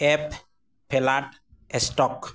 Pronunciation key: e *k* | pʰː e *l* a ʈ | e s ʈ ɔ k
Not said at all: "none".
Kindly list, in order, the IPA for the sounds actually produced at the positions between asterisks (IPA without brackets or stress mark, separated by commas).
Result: p, l